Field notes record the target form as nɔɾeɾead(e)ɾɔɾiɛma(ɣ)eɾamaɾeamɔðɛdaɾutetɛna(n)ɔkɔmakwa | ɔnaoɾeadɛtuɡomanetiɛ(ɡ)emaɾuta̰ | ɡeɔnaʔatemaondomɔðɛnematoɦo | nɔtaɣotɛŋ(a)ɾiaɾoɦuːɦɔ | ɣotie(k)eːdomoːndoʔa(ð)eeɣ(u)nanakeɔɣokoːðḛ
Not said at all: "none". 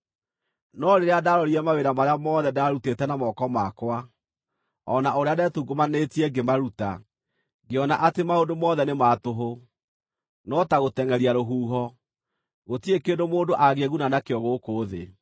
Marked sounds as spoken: a, w, m, ɡ, ɛ, k, ɣ, u

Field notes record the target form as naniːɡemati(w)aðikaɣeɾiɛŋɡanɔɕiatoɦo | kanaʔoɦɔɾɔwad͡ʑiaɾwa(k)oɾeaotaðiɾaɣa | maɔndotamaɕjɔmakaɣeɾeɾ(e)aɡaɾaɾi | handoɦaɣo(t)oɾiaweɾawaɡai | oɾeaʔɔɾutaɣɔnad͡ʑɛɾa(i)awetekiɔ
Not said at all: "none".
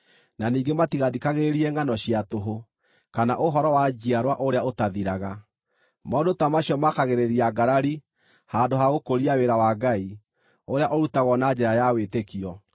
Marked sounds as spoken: ɣ, ʔ, i, k, j

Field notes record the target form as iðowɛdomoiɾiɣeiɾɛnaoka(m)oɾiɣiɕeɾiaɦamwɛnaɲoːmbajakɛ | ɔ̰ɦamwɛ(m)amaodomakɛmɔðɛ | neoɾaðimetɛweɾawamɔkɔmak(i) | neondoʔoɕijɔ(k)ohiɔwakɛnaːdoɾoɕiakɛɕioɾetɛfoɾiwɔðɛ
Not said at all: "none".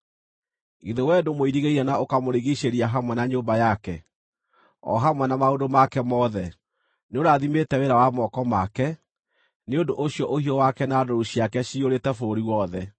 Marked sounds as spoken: m, n, ɛ, ʔ

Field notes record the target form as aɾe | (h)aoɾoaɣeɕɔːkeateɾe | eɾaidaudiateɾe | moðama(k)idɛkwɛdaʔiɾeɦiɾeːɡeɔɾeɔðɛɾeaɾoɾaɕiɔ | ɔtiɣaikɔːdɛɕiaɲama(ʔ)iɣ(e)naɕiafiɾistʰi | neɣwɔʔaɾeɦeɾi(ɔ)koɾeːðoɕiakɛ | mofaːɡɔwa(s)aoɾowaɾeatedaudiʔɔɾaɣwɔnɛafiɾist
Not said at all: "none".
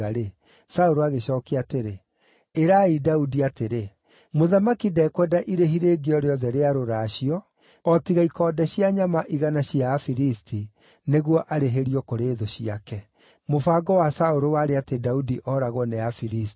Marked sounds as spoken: s, k, ʔ, a, ɔ, s

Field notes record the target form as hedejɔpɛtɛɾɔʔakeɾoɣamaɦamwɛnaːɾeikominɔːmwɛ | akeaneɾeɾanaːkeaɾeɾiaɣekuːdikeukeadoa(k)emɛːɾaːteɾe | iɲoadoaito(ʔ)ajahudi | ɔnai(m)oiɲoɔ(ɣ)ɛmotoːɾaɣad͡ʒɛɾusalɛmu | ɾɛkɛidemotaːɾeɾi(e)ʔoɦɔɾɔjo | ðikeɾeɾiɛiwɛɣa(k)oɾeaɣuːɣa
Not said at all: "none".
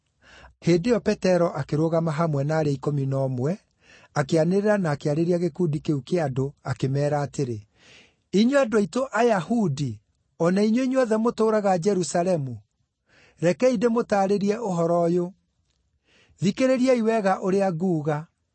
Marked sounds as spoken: k, ʔ, ɲ, ð, ɛ, ʔ

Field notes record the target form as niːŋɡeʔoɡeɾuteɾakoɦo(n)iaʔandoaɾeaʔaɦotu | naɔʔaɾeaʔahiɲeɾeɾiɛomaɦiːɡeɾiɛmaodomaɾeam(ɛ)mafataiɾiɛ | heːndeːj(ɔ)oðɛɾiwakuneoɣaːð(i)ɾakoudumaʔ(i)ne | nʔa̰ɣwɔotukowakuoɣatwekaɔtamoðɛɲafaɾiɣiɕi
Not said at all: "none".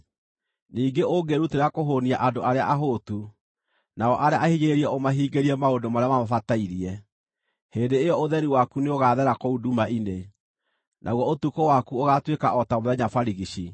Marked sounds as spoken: n, a, ɔ, ɛ, i

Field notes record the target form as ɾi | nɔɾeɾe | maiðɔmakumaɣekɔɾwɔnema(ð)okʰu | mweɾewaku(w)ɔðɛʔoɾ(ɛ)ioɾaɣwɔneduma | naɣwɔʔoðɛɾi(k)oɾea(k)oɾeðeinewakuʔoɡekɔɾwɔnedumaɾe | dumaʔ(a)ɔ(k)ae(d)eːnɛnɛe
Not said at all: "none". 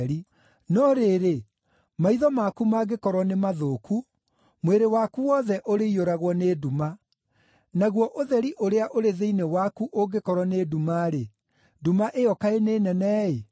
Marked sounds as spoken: ð, w, e, ʔ, ʔ, e, k, n

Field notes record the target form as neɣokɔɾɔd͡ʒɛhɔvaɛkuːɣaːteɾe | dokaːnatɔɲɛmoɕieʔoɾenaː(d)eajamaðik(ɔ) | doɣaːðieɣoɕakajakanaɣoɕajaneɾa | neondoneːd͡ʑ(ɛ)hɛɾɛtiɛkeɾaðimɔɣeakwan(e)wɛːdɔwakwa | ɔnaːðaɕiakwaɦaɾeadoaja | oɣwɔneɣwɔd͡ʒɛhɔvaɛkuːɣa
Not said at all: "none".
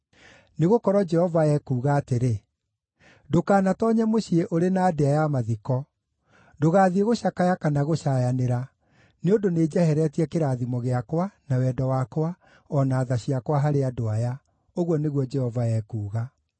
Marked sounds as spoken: d, ɔ, ɛ, a

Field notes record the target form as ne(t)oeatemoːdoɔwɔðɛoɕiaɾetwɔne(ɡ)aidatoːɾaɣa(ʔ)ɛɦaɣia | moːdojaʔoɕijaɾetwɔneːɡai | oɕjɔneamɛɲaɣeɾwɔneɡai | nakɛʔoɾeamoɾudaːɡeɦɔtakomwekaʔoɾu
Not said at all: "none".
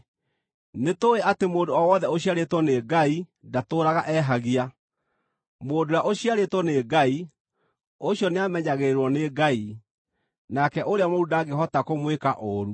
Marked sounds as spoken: t, ɡ, ʔ

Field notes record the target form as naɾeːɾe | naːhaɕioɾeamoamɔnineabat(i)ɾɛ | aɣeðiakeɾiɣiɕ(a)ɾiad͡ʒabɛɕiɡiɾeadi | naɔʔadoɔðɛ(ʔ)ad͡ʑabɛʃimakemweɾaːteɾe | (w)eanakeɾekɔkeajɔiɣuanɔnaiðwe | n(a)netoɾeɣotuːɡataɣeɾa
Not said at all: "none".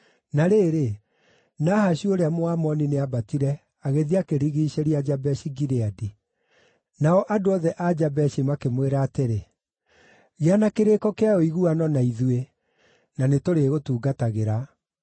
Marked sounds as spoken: i, e, ʔ, ɣ, a

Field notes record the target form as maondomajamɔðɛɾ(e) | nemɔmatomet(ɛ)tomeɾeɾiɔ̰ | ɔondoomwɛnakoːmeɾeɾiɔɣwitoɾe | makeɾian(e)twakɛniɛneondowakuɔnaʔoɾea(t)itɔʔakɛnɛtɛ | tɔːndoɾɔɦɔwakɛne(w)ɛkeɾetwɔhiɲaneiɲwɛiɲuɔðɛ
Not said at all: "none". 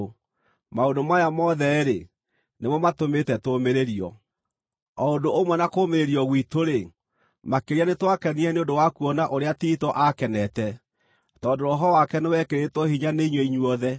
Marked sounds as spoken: e, ɛ, e, t, w

